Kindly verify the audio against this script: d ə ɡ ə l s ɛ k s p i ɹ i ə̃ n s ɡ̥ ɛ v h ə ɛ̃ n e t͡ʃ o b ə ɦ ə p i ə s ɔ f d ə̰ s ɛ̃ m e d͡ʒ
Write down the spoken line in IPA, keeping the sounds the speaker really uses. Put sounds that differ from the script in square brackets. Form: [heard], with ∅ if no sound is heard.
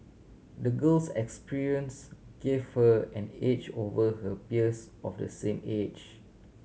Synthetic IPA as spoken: d ə ɡ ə l s ɛ k s p i ɹ i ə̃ n s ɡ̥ [e] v h ə ɛ̃ n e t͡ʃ o [v] ə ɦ ə p i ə s ɔ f d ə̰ s [ẽ] m e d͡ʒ